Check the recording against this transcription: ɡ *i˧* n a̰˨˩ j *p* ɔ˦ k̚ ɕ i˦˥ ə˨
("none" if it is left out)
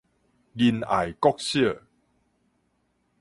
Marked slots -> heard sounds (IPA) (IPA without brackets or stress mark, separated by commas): i˧, k